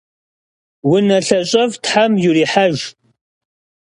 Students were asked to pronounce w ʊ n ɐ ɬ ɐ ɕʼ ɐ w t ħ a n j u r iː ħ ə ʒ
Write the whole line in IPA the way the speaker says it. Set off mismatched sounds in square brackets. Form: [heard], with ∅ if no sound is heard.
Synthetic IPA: w ʊ n ɐ ɬ ɐ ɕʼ ɐ [v] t ħ a [m] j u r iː ħ [a] ʒ